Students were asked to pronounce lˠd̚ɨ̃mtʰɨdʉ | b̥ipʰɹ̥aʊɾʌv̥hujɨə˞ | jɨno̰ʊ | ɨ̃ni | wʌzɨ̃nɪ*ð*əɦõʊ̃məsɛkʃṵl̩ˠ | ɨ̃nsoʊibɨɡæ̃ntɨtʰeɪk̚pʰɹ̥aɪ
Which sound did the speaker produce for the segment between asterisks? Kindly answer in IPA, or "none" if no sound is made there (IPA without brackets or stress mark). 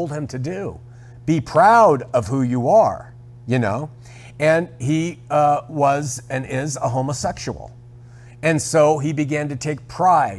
z